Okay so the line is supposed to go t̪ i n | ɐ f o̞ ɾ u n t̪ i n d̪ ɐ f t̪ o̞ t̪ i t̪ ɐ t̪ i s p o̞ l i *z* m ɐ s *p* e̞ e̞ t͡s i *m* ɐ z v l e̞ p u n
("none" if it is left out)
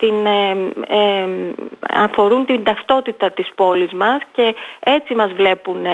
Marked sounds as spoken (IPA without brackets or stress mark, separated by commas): z, c, m